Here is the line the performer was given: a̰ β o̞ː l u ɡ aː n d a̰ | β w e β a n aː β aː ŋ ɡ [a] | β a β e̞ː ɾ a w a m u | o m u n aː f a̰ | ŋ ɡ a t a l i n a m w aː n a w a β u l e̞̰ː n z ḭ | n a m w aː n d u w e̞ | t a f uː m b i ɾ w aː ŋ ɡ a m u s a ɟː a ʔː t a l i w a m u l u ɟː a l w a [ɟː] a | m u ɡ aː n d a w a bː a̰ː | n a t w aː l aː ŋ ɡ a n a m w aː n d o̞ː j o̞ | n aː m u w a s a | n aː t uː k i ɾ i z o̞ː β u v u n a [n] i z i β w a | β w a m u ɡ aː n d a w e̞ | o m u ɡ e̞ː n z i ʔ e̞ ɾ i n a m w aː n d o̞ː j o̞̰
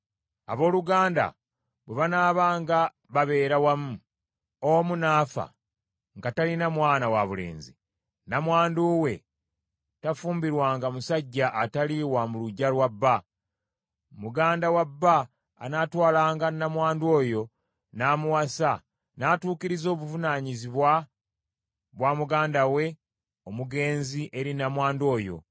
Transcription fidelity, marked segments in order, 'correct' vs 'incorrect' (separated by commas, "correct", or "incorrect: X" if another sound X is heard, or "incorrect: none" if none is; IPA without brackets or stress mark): correct, incorrect: bː, incorrect: ɲ